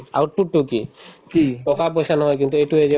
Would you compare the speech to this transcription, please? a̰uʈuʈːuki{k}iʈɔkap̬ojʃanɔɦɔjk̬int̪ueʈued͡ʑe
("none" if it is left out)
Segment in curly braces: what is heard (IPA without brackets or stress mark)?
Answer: k